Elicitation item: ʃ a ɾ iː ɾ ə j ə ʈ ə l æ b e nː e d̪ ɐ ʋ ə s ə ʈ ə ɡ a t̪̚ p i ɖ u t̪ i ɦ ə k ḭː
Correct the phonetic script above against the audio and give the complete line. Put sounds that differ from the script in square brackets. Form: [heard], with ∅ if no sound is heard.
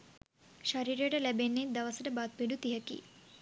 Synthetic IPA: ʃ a ɾ iː ɾ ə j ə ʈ ə l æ b e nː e d̪ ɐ ʋ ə s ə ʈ ə [b] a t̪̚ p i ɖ u t̪ i ɦ ə k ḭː